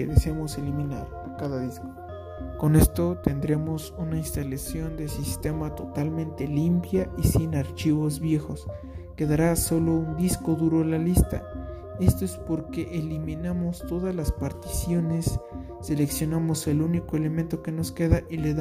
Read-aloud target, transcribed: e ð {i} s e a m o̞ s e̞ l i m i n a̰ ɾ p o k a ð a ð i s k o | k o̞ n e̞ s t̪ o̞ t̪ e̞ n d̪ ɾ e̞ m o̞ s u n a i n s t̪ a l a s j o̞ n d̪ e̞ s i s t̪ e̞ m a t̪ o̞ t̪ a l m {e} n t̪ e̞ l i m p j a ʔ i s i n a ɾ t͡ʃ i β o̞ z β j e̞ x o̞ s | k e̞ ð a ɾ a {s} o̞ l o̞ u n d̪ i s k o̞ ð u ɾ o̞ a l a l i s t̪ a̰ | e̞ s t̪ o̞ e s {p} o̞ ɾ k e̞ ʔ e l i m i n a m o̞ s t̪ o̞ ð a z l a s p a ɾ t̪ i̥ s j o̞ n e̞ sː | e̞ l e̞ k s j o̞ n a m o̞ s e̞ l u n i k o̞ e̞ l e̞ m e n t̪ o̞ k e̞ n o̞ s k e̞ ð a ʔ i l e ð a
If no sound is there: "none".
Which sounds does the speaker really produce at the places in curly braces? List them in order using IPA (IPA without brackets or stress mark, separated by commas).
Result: e, ẽ, s, p